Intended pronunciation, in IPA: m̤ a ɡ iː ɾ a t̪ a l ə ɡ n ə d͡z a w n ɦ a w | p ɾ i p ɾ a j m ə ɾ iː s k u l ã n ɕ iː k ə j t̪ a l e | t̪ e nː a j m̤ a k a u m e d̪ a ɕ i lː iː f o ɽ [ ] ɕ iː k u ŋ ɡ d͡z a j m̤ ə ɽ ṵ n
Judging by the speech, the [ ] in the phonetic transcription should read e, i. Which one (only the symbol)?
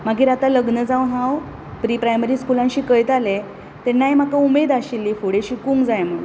e